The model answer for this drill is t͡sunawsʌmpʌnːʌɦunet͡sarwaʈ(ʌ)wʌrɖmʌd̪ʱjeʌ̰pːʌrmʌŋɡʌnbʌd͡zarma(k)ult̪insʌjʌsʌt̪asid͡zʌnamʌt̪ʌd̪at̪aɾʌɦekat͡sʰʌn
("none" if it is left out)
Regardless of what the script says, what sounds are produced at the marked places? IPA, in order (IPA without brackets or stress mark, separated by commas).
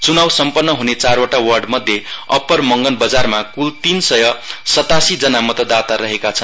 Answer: a, k